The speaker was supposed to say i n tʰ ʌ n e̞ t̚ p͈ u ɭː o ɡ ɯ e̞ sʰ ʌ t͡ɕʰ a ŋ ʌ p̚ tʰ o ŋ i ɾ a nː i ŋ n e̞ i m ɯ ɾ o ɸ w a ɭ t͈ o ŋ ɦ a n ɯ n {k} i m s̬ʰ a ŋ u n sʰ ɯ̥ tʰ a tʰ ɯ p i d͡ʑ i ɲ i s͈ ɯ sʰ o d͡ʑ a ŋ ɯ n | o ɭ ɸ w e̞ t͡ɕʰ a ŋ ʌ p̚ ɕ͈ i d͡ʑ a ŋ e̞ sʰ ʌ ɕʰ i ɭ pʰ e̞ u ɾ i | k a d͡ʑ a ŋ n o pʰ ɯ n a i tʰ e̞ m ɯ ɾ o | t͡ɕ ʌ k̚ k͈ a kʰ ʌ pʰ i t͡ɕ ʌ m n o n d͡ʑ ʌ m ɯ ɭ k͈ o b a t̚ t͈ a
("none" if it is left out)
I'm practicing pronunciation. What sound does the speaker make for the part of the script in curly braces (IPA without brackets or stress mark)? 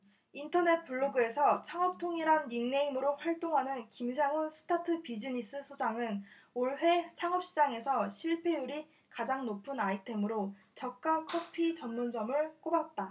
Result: k